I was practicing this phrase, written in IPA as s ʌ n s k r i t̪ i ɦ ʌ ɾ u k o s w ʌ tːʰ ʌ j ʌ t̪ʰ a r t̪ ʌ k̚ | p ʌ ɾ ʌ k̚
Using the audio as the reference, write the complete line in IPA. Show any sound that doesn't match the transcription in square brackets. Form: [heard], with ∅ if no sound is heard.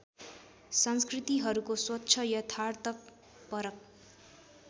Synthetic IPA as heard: s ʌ n s k r i t̪ i ɦ ʌ ɾ u k o s w ʌ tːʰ ʌ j ʌ t̪ʰ a r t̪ ʌ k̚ | p ʌ ɾ ʌ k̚